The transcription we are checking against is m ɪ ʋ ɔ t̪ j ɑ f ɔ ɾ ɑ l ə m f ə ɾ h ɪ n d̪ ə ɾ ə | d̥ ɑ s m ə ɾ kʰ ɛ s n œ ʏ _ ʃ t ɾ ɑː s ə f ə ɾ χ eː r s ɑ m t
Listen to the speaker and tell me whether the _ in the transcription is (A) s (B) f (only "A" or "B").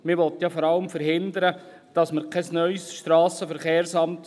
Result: A